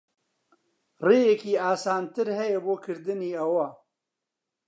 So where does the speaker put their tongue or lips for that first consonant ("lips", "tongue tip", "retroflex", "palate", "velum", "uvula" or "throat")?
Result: tongue tip